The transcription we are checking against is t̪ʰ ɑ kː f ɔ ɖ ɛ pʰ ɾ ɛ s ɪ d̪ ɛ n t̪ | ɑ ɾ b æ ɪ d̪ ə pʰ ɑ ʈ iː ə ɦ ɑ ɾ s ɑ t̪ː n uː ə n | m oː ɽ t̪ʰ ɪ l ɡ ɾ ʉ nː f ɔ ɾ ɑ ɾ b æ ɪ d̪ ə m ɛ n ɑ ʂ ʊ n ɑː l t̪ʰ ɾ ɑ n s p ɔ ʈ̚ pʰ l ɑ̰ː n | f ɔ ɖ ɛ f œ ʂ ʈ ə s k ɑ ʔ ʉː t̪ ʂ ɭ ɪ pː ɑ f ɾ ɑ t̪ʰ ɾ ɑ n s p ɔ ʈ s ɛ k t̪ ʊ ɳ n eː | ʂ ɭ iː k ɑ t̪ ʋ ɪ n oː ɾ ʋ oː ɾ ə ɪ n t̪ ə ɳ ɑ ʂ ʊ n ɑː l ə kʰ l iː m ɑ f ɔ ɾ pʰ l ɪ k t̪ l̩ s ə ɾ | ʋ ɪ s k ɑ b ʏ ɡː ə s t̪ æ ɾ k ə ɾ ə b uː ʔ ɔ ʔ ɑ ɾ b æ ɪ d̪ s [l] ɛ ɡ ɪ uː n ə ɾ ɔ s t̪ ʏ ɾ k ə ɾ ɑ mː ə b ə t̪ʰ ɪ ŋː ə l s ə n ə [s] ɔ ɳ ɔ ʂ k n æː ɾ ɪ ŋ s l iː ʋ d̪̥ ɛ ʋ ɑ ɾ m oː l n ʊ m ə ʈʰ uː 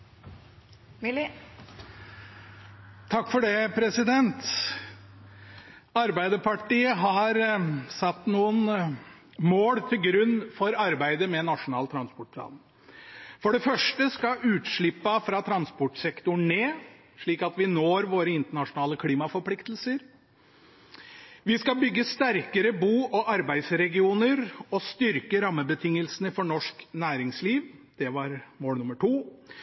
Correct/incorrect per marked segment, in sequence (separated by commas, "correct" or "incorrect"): incorrect, incorrect